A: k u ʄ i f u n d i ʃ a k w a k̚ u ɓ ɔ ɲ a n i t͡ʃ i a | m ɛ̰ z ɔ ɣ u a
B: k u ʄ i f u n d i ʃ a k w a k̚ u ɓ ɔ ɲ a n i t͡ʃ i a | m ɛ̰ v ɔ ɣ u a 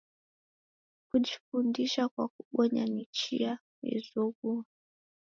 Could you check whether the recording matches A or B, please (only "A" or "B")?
A